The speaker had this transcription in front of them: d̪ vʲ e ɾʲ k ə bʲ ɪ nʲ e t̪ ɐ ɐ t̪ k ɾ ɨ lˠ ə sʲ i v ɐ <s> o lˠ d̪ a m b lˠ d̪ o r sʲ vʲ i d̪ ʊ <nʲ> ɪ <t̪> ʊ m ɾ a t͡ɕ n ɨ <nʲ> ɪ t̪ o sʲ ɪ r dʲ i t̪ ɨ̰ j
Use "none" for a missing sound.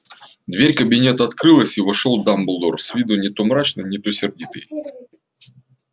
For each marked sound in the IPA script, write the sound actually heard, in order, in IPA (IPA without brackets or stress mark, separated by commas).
ʂ, nʲ, t̪, nʲ